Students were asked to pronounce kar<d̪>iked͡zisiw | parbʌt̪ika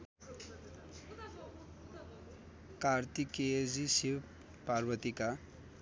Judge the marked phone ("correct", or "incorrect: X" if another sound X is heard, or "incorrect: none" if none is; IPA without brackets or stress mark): incorrect: t̪